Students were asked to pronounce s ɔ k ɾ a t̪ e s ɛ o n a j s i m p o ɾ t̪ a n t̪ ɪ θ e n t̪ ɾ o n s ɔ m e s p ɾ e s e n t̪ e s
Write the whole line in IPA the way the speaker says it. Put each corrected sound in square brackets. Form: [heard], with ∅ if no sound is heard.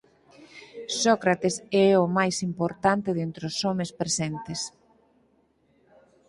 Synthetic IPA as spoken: s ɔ k ɾ a t̪ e s ɛ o [m] a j s i m p o ɾ t̪ a n t̪ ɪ [ð] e n t̪ ɾ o [∅] s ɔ m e s p ɾ e s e n t̪ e s